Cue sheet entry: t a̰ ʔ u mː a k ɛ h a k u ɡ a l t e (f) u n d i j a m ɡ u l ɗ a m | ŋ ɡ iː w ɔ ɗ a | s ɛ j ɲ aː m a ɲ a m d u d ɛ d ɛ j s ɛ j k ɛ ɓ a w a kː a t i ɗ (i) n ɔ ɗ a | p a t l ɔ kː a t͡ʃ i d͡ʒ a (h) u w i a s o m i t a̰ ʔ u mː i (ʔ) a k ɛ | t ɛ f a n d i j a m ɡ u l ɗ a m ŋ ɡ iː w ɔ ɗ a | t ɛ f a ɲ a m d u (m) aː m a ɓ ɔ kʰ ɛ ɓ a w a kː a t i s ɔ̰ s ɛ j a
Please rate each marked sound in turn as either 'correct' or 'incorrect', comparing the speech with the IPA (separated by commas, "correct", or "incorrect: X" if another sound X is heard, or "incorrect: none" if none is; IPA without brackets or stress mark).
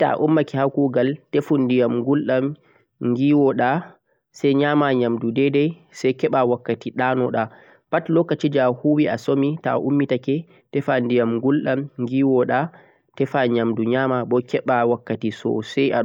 correct, incorrect: a, correct, incorrect: t, incorrect: ɲ